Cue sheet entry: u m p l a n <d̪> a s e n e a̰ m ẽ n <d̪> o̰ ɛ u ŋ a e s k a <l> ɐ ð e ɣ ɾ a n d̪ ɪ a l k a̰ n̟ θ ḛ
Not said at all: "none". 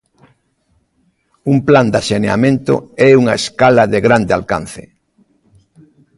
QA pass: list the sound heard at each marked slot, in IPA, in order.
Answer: d̪, t̪, l

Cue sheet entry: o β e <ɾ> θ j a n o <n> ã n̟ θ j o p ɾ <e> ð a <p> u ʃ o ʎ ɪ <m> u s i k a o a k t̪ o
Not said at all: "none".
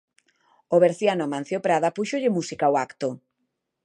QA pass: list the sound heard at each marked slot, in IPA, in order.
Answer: ɾ, m, a, p, m

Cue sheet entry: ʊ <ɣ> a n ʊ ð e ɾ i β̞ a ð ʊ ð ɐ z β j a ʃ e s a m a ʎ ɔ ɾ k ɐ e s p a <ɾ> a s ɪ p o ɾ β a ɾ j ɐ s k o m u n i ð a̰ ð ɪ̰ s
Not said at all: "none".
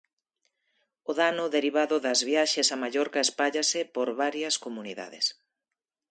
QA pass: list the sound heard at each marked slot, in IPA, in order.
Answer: ð, ʎ

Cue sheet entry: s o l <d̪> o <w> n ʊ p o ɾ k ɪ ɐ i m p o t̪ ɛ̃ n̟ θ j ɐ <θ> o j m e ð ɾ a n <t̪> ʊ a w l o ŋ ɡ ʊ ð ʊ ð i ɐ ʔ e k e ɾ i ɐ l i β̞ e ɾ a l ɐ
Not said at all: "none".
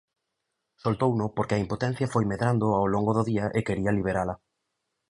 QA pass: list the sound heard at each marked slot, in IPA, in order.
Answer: t̪, w, f, d̪

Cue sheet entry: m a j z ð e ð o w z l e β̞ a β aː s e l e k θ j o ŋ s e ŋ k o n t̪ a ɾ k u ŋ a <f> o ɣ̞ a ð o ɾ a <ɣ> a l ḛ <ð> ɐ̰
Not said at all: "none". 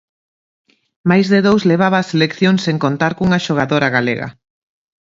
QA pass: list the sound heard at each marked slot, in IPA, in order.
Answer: ʃ, ɣ, ɣ

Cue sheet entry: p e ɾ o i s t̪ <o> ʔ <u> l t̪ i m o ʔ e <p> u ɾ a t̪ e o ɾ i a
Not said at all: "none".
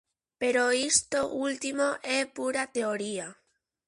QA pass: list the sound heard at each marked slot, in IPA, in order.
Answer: o, u, p

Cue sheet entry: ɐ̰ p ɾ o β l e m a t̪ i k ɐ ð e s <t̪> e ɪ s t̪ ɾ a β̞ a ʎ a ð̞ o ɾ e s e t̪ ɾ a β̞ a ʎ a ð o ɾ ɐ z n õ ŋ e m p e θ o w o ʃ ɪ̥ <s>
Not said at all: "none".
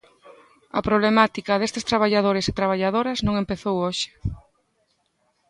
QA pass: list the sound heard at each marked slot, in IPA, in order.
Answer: t̪, none

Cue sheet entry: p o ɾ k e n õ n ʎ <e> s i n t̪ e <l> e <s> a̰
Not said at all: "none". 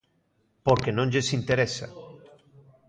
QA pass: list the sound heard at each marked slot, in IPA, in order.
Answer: e, ɾ, s

